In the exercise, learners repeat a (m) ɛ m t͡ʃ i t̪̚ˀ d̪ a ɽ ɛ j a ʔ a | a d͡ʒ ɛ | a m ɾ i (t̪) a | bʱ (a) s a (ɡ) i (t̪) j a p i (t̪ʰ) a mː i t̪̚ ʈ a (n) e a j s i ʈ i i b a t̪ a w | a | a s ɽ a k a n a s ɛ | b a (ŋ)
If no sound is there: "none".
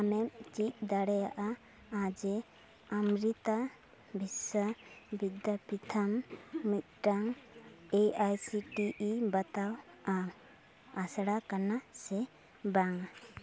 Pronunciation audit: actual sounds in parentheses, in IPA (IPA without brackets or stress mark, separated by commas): m, t̪, i, b, d̪, t̪ʰ, ŋ, ŋ